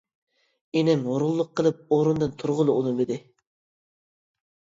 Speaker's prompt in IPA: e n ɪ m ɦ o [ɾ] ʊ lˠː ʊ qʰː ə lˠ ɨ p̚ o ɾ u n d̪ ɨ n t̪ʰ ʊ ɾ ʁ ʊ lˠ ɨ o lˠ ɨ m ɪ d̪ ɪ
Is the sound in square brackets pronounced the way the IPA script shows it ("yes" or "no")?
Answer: yes